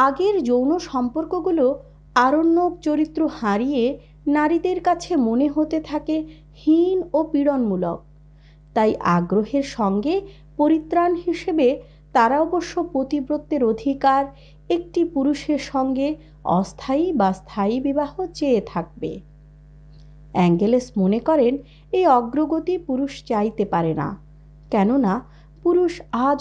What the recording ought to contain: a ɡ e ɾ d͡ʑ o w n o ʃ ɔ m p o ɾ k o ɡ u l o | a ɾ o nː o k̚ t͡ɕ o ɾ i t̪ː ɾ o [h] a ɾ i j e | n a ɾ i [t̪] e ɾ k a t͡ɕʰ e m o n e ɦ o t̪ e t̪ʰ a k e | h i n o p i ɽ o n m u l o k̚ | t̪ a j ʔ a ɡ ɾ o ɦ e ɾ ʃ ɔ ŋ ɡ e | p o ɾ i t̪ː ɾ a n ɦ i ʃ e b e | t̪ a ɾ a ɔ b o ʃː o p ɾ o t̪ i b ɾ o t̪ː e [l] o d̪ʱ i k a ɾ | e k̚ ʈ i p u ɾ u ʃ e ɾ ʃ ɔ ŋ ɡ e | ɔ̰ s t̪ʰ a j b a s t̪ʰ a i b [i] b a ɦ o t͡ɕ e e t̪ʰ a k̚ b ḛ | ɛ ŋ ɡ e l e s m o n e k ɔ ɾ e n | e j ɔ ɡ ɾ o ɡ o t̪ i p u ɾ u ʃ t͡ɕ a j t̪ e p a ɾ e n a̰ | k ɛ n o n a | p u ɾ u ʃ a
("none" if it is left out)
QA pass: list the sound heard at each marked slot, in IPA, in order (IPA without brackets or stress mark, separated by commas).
h, d̪, ɾ, i